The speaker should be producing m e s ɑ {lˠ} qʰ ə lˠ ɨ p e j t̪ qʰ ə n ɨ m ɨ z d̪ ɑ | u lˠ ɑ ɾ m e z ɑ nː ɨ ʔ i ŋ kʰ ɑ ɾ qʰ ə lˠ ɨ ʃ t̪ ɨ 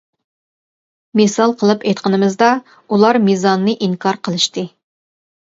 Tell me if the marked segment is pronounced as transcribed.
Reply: yes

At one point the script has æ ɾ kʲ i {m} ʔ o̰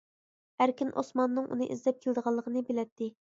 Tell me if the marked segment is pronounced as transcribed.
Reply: no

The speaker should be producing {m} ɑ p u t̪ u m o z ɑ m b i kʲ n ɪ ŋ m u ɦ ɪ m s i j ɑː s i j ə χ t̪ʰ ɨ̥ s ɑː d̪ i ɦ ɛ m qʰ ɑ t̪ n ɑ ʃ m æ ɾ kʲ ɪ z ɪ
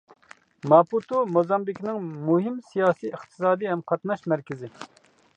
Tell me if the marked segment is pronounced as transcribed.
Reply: yes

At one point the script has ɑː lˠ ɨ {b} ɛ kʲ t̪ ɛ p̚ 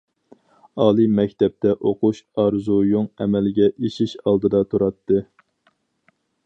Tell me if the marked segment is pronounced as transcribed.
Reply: no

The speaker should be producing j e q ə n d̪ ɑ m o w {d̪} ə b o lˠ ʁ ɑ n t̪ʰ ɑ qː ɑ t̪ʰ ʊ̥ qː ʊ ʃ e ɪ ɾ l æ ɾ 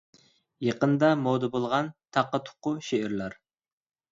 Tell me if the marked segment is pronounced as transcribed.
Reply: yes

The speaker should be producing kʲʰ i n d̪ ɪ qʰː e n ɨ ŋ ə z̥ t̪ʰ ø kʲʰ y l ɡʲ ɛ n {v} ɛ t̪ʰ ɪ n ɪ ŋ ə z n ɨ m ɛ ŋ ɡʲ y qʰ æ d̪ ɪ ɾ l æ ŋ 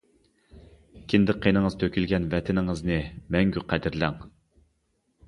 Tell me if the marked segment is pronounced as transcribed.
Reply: yes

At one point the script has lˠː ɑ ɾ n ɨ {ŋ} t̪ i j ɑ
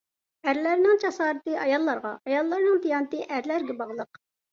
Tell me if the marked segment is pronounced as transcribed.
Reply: yes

